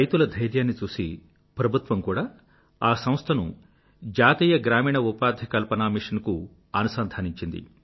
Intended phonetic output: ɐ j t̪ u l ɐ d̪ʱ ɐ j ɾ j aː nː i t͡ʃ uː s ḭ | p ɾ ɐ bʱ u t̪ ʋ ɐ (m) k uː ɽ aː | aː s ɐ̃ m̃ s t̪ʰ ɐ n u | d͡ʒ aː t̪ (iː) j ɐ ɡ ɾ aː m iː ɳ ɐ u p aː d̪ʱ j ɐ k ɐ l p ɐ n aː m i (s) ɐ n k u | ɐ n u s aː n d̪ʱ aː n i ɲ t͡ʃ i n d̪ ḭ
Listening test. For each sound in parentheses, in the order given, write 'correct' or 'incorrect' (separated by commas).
correct, correct, incorrect